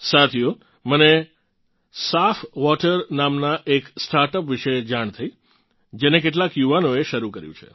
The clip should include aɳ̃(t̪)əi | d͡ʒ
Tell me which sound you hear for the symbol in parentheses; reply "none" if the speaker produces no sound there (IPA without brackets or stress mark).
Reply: t̪ʰ